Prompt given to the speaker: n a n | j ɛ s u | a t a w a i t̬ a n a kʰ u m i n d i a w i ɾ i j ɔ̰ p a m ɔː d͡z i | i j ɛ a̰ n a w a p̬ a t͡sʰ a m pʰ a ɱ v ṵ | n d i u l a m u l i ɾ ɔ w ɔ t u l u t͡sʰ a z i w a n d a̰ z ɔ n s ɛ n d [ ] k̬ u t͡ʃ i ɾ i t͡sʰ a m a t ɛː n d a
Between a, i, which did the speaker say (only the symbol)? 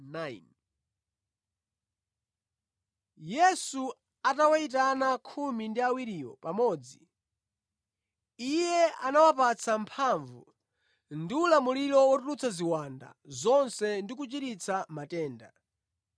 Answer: i